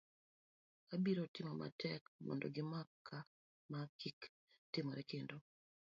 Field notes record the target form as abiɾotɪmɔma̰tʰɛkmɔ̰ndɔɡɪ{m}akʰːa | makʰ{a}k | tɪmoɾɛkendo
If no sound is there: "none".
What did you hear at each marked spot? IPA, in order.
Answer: m, i

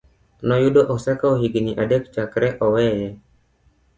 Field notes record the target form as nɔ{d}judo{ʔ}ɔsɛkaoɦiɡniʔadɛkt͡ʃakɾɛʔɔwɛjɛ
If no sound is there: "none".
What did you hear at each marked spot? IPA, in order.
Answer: none, ʔ

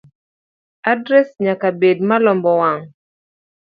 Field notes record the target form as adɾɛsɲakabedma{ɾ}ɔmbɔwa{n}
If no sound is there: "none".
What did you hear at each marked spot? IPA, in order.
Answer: l, ŋ

